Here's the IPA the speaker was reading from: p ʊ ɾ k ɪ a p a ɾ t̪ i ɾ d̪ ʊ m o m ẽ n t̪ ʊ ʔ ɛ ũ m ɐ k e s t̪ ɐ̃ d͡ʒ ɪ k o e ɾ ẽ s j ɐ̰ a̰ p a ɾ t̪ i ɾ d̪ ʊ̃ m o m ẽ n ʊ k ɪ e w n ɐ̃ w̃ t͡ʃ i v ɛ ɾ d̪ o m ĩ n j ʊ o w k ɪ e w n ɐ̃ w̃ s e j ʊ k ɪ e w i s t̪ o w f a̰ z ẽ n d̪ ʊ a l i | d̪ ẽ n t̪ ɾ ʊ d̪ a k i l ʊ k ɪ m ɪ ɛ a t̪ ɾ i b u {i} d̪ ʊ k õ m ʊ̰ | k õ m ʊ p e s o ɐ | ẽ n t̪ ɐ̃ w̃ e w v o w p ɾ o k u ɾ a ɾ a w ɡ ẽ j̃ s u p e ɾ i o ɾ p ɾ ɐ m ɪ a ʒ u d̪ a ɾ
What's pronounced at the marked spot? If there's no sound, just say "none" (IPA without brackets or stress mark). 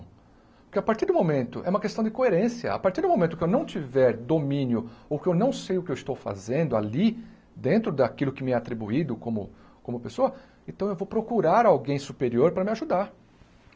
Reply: i